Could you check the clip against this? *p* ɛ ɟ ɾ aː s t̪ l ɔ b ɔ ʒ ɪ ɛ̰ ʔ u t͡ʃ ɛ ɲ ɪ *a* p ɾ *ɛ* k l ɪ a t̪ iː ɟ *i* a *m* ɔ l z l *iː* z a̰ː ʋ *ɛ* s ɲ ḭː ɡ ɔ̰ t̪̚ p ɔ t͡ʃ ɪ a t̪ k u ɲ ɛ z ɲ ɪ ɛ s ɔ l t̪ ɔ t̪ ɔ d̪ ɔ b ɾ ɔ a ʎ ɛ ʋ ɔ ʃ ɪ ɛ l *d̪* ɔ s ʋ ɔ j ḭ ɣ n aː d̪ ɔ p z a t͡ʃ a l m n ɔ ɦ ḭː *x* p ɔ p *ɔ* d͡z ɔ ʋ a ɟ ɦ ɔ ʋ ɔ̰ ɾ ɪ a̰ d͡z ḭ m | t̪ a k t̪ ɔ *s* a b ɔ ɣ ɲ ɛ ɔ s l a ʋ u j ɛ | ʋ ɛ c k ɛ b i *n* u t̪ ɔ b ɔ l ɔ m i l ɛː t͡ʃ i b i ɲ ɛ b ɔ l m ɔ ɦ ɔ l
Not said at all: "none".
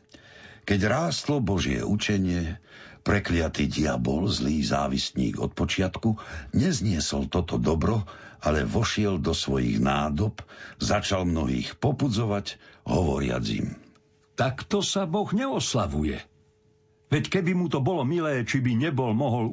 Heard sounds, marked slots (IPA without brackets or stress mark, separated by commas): k, ɛ, ɛ, i, b, iː, i, d̪, x, u, s, m